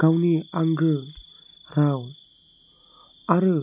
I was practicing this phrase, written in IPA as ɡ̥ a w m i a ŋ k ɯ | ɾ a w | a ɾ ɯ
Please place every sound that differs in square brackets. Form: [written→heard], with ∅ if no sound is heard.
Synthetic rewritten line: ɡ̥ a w [m→n] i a ŋ [k→ɡ] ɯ | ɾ a w | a ɾ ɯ